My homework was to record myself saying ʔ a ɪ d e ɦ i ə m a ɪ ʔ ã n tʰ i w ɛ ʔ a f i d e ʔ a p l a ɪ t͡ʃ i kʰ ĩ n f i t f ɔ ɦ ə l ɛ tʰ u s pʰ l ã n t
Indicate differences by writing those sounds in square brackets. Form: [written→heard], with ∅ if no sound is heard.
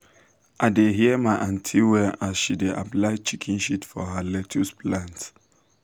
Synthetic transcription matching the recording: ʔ a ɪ d e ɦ i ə m a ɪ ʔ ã n tʰ i w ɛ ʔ a [f→ʃ] i d e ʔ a p l a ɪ t͡ʃ i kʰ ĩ n [f→ʃ] i t f ɔ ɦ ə l ɛ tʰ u s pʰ l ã n t